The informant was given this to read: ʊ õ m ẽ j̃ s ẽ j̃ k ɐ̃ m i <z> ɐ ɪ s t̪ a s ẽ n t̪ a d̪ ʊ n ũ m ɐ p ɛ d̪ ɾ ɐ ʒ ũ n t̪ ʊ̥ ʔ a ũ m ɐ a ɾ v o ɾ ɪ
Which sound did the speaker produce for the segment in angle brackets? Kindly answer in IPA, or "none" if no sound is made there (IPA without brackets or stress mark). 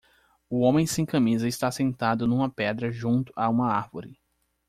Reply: z